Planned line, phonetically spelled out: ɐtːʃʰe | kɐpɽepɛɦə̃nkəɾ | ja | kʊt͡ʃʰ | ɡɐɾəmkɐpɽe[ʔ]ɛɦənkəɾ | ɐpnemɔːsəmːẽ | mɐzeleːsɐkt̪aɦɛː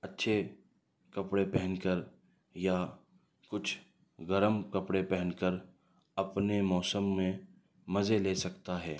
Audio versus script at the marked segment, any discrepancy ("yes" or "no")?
yes